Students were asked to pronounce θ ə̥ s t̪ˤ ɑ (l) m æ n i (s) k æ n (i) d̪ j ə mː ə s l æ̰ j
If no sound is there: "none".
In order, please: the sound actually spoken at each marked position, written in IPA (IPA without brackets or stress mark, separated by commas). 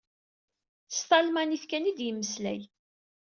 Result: l, θ, i